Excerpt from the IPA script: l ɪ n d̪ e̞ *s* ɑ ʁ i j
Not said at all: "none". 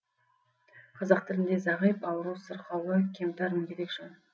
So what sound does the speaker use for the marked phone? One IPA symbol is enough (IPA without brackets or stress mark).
z